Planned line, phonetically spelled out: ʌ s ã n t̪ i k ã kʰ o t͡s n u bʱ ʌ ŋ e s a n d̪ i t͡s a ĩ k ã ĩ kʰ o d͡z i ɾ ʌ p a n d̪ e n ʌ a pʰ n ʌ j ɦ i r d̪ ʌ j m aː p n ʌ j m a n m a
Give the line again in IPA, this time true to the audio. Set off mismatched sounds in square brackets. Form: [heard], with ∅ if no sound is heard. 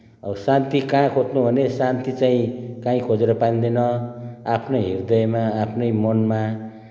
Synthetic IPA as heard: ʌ s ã n t̪ i k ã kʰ o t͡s n u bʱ ʌ [n] e s a n [t̪] i t͡s a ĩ k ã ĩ kʰ o d͡z [e] ɾ ʌ p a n d̪ e n ʌ a pʰ n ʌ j ɦ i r d̪ ʌ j m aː [pʰ] n ʌ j m [ʌ] n m a

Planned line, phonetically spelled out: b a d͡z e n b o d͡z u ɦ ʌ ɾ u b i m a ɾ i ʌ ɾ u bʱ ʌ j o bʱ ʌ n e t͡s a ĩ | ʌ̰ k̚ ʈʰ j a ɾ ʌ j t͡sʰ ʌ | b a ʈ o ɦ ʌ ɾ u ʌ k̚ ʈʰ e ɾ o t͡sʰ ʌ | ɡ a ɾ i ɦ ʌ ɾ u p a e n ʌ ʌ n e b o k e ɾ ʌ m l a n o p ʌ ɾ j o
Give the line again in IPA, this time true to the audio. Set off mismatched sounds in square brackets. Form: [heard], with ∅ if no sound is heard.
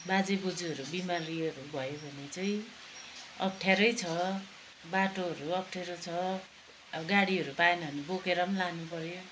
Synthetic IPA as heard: b a d͡z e [∅] b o d͡z u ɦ ʌ ɾ u b i m a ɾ i ʌ ɾ u bʱ ʌ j o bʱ ʌ n e t͡s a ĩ | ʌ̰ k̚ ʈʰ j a ɾ ʌ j t͡sʰ ʌ | b a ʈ o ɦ ʌ ɾ u ʌ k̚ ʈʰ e ɾ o t͡sʰ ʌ | ɡ a [ɽ] i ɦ ʌ ɾ u p a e n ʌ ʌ n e b o k e ɾ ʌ m l a n [u] p ʌ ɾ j o

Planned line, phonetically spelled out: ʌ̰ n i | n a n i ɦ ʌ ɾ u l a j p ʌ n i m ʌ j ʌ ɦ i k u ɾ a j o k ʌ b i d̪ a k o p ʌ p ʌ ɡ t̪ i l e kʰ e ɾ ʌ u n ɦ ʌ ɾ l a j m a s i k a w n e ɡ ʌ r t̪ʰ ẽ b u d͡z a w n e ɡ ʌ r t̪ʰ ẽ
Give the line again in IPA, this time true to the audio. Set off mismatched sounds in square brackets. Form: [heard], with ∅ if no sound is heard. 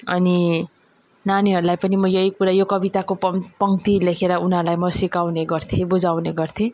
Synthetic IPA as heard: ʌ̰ n i | n a n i ɦ ʌ ɾ u l a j p ʌ n i m ʌ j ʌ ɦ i k u ɾ a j o k ʌ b i [t̪] a k o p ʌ p ʌ [ŋ] t̪ i l e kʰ e ɾ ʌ u n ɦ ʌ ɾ l a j m [ʌ] s i k a w n e ɡ ʌ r t̪ʰ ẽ b u d͡z a w n e ɡ ʌ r t̪ʰ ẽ

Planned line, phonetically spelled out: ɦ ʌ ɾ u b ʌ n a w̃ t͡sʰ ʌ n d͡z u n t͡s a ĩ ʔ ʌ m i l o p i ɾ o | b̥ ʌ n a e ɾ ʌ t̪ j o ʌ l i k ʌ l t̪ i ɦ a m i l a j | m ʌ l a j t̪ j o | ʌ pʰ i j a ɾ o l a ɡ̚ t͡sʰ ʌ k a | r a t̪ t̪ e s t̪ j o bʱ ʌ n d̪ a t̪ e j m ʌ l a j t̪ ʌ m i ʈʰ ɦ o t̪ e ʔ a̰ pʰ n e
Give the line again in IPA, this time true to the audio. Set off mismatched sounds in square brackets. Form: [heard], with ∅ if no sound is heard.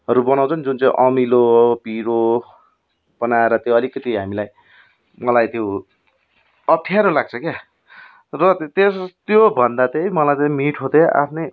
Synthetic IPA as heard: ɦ ʌ ɾ u b ʌ n a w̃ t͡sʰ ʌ n d͡z u n t͡s a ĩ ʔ ʌ m i l o p i ɾ o | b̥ ʌ n a e ɾ ʌ t̪ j o ʌ l i k ʌ [∅] t̪ i ɦ a m i l a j | m ʌ l a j t̪ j o | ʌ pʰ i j a ɾ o l a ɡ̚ t͡sʰ ʌ k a | r [ʌ] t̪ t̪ e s t̪ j o bʱ ʌ n d̪ a t̪ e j m ʌ l a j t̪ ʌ m i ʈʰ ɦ o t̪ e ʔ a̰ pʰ n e

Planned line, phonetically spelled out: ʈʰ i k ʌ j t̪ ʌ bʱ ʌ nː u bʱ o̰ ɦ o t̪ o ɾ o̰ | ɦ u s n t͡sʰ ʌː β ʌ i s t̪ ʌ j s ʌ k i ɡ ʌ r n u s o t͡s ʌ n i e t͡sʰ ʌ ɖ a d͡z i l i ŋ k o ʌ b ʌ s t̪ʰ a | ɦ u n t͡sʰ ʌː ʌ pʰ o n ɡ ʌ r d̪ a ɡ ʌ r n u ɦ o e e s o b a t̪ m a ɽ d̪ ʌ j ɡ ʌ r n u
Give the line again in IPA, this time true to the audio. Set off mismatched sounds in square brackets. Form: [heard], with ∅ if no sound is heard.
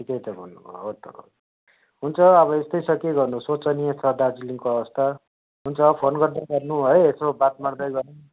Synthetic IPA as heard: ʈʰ i k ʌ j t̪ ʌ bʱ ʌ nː u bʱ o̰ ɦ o t̪ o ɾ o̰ | ɦ u [∅] n t͡sʰ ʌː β ʌ [e] s t̪ ʌ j s ʌ k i ɡ ʌ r n u s o t͡s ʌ n i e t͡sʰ ʌ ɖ a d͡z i l i ŋ k o ʌ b ʌ s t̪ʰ a | ɦ u n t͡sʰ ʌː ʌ pʰ o n ɡ ʌ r d̪ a ɡ ʌ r n u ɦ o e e s o b a t̪ m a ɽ d̪ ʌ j ɡ ʌ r n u

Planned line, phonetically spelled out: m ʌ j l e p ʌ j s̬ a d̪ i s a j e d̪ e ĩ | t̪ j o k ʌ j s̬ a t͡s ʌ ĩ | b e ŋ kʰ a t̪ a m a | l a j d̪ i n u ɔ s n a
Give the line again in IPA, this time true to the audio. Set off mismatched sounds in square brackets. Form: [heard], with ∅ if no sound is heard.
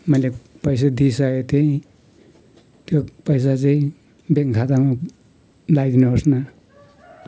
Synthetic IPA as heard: m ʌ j l e p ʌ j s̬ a d̪ i s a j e [t̪] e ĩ | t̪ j o [p] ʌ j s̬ a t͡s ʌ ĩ | b e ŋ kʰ a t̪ a m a | l a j d̪ i n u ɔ s n a

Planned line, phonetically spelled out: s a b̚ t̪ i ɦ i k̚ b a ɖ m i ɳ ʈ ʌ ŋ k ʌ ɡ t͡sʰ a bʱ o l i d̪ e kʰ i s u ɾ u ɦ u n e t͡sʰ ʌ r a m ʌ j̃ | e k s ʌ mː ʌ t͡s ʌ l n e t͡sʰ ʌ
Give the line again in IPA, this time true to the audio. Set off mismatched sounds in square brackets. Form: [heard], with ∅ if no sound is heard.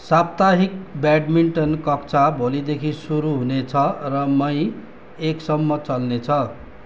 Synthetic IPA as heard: s a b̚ t̪ [a] ɦ i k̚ b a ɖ m i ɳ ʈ ʌ [n] k ʌ [k] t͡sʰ a bʱ o l i d̪ e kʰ i s u ɾ u ɦ u n e t͡sʰ ʌ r [ʌ] m ʌ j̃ | e k s ʌ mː ʌ t͡s ʌ l n e t͡sʰ ʌ

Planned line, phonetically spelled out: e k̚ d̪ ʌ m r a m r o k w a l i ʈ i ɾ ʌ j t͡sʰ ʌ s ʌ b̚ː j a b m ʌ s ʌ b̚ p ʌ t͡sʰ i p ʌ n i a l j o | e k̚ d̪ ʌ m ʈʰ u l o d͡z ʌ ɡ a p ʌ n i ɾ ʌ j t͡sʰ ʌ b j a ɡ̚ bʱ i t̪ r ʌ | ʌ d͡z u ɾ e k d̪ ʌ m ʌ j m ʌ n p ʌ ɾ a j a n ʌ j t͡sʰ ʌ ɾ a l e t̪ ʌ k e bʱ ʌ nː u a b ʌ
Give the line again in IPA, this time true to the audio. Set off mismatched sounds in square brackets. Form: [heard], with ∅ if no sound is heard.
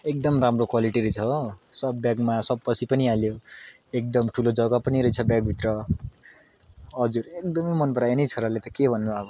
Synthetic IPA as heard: e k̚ d̪ ʌ m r a m r o k w a l i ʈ i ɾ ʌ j t͡sʰ ʌ s ʌ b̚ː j a [ɡ] m [a] s ʌ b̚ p ʌ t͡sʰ i p ʌ n i a l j o | e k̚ d̪ ʌ m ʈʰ u l o d͡z ʌ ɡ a p ʌ n i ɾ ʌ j t͡sʰ ʌ b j a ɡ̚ bʱ i t̪ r ʌ | ʌ d͡z u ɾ e k d̪ ʌ m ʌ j m ʌ n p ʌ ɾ a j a n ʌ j t͡sʰ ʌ ɾ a l e t̪ ʌ k e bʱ ʌ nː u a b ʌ

